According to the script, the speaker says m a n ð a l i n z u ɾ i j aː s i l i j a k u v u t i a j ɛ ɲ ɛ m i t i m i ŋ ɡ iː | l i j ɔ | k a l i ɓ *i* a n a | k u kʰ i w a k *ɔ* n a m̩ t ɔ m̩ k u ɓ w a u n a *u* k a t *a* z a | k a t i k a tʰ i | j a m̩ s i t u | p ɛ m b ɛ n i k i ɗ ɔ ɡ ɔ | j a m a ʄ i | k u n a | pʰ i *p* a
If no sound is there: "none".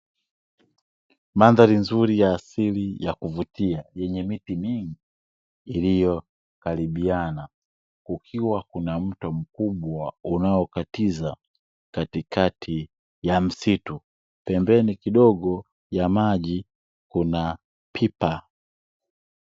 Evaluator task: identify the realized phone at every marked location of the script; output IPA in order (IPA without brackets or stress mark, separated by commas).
i, u, ɔ, i, p